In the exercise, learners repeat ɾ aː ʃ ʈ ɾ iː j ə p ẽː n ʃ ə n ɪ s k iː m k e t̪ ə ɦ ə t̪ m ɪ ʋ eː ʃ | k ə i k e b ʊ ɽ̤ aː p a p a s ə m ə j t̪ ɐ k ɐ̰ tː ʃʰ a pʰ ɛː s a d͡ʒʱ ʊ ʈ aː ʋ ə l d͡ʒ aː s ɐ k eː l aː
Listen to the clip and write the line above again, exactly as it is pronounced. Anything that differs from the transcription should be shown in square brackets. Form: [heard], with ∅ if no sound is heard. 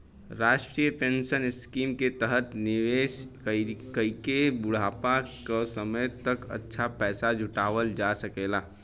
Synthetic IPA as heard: ɾ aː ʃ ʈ ɾ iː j ə p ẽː n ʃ ə n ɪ s k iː m k e t̪ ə ɦ ə t̪ [n] ɪ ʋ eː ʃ | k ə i k e b ʊ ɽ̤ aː p a [k] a s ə m ə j t̪ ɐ k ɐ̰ tː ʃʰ a [p] ɛː s a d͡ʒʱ ʊ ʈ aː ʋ ə l d͡ʒ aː s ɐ k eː l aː

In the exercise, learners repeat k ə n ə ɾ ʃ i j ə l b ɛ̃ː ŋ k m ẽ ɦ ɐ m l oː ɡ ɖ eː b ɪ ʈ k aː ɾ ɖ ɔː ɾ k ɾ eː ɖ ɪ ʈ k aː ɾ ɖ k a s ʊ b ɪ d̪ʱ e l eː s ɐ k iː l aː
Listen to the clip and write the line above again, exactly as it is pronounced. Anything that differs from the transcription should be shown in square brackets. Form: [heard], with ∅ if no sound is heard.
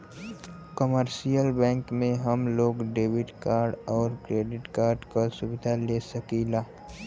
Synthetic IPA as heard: k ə [m] ə ɾ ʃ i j ə l b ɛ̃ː ŋ k m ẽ ɦ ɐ m l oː ɡ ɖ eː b ɪ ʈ k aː ɾ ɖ ɔː ɾ k ɾ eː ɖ ɪ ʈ k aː ɾ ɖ k a s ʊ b ɪ d̪ʱ [a] l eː s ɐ k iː l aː

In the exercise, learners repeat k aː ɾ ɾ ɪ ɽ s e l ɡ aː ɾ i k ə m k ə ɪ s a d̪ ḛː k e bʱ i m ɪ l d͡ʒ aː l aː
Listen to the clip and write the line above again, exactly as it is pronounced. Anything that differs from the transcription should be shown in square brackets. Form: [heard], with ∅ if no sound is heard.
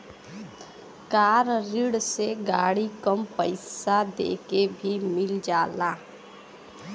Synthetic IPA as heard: k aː ɾ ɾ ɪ ɽ s e [∅] ɡ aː [ɽ] i k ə m [p] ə ɪ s a d̪ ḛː k e bʱ i m ɪ l d͡ʒ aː l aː

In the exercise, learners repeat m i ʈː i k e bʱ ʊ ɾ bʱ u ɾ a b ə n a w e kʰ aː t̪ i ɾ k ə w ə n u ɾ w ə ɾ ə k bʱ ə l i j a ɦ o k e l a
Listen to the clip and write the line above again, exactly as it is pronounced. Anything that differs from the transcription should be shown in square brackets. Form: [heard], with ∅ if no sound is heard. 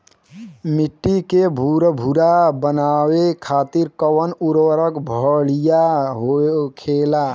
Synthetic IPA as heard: m i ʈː i k e bʱ [u] ɾ bʱ u ɾ a b ə n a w e kʰ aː t̪ i ɾ k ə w ə n u ɾ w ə ɾ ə k bʱ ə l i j a ɦ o [kʰ] e l a

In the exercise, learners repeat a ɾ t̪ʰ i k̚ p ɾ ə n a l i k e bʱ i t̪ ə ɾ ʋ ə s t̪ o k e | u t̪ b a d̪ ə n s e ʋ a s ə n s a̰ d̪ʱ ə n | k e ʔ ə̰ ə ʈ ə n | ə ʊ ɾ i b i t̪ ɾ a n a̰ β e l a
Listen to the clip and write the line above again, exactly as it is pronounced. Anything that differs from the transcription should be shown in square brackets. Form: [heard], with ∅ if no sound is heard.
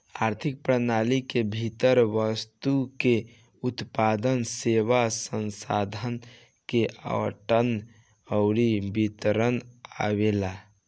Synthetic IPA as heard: a ɾ t̪ʰ i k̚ p ɾ ə n a l i k e bʱ i t̪ ə ɾ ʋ ə s t̪ [u] k e | u t̪ [p] a d̪ ə n s e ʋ a s ə n s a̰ d̪ʱ ə n | k e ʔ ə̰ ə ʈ ə n | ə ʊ ɾ i b i t̪ ɾ [ə] n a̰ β e l a

